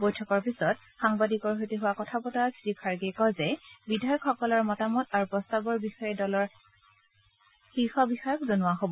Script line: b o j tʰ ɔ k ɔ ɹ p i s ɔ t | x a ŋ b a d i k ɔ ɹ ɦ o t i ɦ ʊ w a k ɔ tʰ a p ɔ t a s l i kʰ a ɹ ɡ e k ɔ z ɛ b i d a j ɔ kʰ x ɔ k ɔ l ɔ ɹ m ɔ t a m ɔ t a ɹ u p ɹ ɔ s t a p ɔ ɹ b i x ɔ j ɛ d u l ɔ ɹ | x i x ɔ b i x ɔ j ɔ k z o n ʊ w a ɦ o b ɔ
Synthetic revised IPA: b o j tʰ ɔ k ɔ ɹ p i s ɔ t | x a ŋ b a d i k ɔ ɹ ɦ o t i ɦ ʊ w a k ɔ tʰ a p ɔ t a s ɹ i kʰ a ɹ ɡ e k ɔ z ɛ b i d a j ɔ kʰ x ɔ k ɔ l ɔ ɹ m ɔ t a m ɔ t a ɹ u p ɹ ɔ s t a b ɔ ɹ b i x ɔ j ɛ d ɔ l ɔ ɹ | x i x ɔ b i x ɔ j ɔ k z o n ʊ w a ɦ o b ɔ